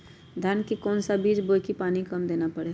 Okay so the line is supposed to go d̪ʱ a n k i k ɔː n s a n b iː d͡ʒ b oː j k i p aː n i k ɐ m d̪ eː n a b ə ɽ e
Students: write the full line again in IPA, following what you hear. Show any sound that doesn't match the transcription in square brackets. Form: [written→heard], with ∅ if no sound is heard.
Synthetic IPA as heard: d̪ʱ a n k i k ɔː n s a [n→∅] b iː d͡ʒ b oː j k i p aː n i k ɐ m d̪ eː n a [b→p] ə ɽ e

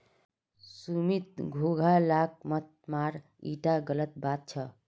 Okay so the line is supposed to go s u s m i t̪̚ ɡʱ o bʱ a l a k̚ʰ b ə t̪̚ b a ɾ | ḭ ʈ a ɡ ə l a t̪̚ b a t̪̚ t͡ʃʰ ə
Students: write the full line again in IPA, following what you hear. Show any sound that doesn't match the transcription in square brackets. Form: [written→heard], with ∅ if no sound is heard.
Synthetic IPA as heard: s u [s→∅] m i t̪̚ ɡʱ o [bʱ→ɡʱ] a l a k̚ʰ [b→m] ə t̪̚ [b→m] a ɾ | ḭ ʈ a ɡ ə l [a→ə] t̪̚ b a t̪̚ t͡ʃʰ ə

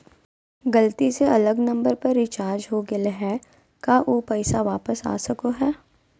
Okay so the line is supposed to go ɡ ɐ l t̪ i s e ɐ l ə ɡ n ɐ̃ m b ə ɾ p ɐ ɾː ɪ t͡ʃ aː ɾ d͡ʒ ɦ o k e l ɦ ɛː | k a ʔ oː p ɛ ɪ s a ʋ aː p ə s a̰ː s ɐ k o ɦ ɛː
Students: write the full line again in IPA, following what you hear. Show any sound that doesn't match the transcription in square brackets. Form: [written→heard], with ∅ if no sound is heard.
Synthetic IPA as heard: ɡ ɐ l t̪ i s e ɐ l ə ɡ n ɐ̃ m b ə ɾ p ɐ ɾː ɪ t͡ʃ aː ɾ d͡ʒ ɦ o [k→ɡ] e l ɦ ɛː | k a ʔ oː p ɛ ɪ s a ʋ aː p ə s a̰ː s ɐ k o ɦ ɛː

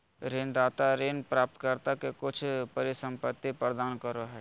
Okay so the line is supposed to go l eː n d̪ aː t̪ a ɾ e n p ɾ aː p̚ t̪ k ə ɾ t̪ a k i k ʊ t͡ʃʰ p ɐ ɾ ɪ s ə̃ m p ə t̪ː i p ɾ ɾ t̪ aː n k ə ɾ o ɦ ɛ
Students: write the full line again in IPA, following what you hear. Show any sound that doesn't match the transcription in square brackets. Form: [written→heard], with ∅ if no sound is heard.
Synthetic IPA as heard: [l→ɾ] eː n d̪ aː t̪ a ɾ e n p ɾ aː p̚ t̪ k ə ɾ t̪ a k [i→e] k ʊ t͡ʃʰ p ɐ ɾ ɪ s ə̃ m p ə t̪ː i p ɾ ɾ [t̪→d̪] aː n k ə ɾ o ɦ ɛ

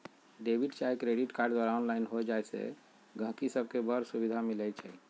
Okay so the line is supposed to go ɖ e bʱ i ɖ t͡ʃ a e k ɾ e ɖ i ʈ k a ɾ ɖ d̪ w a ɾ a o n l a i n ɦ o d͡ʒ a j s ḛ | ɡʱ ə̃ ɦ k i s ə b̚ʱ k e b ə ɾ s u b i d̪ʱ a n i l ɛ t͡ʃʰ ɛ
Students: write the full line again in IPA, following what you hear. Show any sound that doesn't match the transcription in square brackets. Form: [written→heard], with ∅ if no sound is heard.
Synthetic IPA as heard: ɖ e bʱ i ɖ t͡ʃ a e k ɾ e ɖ i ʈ k a ɾ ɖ d̪ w a ɾ a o n l a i n ɦ o d͡ʒ a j s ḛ | ɡʱ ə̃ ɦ k i s ə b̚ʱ k e b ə ɾ s u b i d̪ʱ a [n→m] i l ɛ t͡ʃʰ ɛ

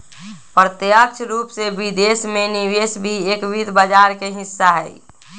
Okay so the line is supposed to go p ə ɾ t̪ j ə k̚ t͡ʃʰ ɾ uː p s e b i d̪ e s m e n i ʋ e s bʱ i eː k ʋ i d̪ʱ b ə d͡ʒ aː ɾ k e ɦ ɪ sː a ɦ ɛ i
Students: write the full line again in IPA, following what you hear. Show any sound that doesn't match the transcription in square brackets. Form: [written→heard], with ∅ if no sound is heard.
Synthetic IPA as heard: p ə ɾ t̪ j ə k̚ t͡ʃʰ ɾ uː p s e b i d̪ e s m e n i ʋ e s bʱ i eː k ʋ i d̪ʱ b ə d͡ʒ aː ɾ k e ɦ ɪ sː a ɦ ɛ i

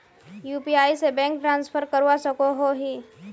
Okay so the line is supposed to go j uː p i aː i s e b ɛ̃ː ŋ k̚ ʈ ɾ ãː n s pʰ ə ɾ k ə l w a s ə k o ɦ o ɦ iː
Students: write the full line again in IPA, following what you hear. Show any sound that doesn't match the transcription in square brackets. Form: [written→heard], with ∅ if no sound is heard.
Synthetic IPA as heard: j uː p i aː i s e b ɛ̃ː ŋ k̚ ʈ ɾ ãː n s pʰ ə ɾ k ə [l→ɾ] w a s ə k o ɦ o ɦ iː

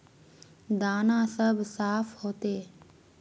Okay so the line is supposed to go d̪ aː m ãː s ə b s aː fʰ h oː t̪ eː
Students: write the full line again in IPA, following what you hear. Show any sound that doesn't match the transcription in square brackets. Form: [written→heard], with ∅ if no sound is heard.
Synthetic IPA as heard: d̪ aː [m→n] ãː s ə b s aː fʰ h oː t̪ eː

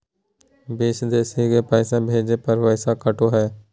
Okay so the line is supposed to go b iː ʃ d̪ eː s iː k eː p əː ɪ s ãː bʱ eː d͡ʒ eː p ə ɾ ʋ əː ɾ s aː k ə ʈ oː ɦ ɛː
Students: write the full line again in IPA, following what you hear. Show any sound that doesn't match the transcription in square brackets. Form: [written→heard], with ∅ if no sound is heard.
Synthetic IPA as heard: b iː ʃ d̪ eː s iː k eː p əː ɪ s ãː bʱ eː d͡ʒ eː p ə ɾ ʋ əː [ɾ→∅] s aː k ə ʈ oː ɦ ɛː

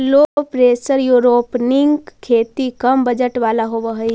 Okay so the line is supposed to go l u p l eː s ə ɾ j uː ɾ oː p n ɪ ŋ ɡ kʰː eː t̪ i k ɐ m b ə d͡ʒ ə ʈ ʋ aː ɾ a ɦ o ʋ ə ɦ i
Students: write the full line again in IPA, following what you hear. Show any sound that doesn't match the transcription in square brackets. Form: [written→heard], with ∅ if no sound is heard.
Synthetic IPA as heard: l [u→o] p [l→ɾ] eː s ə ɾ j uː ɾ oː p n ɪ ŋ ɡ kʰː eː t̪ i k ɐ m b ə d͡ʒ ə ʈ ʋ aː [ɾ→l] a ɦ o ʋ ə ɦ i

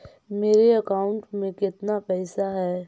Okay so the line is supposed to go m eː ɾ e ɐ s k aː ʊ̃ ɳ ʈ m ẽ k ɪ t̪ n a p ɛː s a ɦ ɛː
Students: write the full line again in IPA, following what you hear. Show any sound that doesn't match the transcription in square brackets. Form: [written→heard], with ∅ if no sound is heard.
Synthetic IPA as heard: m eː ɾ e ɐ [s→∅] k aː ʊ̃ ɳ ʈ m ẽ k ɪ t̪ n a p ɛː s a ɦ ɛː

